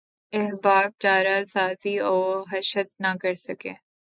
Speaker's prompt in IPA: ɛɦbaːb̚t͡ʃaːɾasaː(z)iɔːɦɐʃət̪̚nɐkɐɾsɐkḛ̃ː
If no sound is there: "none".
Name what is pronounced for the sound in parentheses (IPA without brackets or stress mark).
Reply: z